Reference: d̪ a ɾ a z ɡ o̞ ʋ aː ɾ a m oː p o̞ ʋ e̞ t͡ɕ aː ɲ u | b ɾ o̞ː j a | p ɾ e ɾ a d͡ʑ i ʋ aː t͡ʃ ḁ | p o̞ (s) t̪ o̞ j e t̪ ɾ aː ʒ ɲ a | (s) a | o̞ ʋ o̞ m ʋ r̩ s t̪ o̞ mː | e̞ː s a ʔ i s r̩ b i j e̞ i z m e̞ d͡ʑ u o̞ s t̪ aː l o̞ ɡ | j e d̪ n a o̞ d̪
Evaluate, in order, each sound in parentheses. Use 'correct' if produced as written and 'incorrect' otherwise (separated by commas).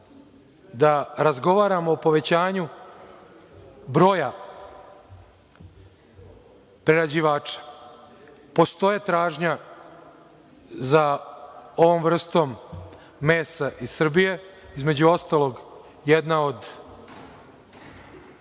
correct, incorrect